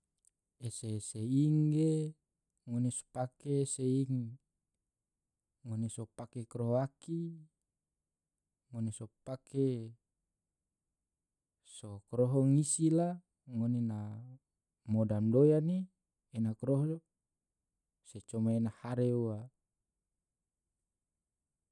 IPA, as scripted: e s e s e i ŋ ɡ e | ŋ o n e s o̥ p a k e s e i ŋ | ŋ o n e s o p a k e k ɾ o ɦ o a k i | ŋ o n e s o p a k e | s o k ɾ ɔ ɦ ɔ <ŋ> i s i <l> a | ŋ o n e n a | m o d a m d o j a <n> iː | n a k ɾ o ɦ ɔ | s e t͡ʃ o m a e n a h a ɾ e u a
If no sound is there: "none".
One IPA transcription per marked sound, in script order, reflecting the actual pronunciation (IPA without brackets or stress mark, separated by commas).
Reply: ŋ, l, n